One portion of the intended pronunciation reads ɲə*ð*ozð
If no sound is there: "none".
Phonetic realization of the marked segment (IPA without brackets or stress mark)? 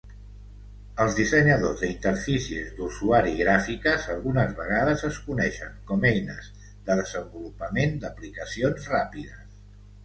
ð